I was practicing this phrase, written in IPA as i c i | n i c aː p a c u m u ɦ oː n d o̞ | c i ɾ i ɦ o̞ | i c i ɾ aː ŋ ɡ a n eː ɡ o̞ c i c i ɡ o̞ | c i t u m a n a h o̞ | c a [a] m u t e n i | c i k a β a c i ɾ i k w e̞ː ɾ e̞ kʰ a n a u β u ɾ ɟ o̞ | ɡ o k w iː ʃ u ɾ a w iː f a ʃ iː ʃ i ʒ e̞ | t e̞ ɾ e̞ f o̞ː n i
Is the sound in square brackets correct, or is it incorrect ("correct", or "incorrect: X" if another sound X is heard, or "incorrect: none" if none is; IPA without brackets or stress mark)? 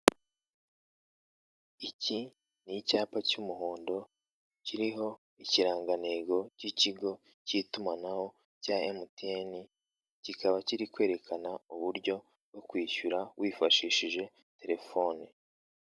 incorrect: e